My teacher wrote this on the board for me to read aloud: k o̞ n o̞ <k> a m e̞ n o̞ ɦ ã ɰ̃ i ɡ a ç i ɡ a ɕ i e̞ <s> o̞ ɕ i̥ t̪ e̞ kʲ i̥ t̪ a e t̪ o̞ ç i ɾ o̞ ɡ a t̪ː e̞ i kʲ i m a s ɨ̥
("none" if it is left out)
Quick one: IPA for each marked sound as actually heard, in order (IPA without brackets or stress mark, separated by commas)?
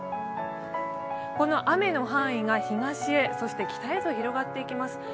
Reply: ʔ, s